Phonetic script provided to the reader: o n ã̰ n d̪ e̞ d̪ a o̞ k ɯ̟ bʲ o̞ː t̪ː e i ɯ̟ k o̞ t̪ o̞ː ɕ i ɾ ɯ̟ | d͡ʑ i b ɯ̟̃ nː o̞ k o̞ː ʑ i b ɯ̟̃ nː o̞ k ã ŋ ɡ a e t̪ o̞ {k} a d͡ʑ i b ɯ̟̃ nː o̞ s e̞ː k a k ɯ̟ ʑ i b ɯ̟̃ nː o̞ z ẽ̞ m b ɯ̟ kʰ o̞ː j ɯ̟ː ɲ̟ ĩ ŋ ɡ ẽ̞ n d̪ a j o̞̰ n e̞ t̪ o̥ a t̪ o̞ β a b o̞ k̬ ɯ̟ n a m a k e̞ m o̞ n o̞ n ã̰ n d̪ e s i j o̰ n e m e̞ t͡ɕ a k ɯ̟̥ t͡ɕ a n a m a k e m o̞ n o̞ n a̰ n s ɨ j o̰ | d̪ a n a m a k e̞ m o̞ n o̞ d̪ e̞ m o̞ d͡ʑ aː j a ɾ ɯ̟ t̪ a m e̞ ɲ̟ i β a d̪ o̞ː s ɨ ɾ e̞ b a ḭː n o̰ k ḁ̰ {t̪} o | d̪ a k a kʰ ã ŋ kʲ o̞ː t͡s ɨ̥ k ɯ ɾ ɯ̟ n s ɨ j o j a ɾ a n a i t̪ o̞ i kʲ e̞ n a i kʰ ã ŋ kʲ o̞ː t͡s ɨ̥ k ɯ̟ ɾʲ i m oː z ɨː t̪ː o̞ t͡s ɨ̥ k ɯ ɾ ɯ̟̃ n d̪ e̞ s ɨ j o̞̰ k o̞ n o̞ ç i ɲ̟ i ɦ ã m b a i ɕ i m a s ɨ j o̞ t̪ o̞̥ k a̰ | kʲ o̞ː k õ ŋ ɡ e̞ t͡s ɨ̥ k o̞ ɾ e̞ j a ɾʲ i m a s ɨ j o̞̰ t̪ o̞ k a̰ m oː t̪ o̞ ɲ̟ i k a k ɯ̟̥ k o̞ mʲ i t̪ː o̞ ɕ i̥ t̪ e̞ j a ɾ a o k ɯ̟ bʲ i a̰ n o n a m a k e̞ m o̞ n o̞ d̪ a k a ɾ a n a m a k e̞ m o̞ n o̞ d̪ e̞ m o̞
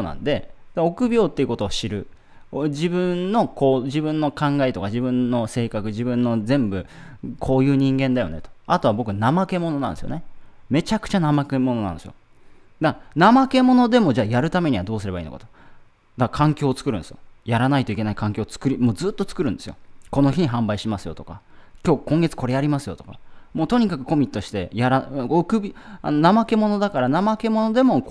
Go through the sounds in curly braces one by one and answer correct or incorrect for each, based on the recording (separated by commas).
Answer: correct, correct